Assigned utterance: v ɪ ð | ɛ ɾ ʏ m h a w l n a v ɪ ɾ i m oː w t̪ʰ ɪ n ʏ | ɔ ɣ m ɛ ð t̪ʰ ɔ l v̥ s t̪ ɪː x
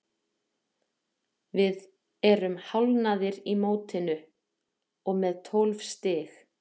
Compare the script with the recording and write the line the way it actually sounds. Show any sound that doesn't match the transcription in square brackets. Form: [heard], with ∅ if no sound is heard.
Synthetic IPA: v ɪ ð | ɛ ɾ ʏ m h a w l n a [ð] ɪ ɾ i m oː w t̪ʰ ɪ n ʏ | ɔ ɣ m ɛ ð t̪ʰ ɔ l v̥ s t̪ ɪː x